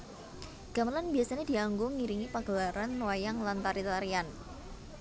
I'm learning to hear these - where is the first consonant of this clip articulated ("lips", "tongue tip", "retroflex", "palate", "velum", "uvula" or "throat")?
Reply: velum